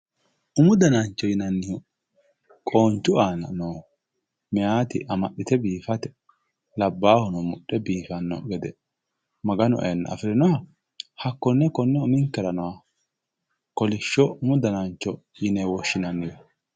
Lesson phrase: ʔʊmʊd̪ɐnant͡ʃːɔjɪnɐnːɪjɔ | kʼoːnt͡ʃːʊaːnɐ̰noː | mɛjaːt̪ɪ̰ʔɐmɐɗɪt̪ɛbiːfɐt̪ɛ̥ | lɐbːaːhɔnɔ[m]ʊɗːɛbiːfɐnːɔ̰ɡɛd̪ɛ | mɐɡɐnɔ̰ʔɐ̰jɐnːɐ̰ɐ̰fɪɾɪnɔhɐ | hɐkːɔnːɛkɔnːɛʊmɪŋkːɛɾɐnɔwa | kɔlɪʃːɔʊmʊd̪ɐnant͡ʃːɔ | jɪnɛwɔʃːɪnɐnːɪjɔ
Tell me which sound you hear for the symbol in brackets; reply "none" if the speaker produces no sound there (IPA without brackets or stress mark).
m